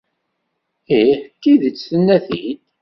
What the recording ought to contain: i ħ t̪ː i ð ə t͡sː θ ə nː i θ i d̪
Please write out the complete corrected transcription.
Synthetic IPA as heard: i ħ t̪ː i ð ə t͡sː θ ə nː æ θ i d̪